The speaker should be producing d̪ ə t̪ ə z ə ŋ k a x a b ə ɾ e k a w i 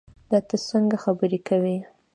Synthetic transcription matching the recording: d̪ ɑ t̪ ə s ə ŋ ɡ a x a b ə ɾ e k a w i